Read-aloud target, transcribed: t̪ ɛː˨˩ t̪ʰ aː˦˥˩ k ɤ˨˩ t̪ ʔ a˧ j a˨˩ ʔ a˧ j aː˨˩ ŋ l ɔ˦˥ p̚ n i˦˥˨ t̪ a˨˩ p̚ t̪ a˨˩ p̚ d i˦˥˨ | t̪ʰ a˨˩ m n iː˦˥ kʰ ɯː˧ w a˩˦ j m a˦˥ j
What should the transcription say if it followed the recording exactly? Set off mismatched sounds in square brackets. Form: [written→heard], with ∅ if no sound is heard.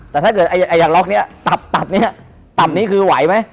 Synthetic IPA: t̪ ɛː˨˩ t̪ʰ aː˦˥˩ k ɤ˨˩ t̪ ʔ a˧ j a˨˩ ʔ a˧ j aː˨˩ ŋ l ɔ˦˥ [p̚→k̚] n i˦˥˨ t̪ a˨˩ p̚ t̪ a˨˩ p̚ [d→n] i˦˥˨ | [t̪ʰ→t̪] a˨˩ m n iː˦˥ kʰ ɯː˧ w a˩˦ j m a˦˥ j